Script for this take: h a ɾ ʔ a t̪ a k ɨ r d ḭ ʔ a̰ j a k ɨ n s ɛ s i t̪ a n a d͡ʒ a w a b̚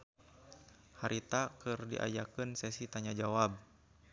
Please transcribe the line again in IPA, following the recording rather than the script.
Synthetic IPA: h a ɾ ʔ i t̪ a k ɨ r d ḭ ʔ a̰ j a k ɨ n s ɛ s i t̪ a ɲ a d͡ʒ a w a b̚